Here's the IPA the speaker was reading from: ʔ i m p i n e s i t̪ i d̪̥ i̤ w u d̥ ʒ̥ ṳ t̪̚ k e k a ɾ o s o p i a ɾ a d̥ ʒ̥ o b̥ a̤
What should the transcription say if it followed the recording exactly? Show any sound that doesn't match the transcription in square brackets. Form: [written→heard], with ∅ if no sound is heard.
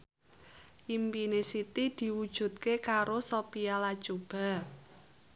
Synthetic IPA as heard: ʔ i m p i n e s i t̪ i d̪̥ i̤ w u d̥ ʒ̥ ṳ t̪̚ k e k a ɾ o s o p i a [ɾ→l] a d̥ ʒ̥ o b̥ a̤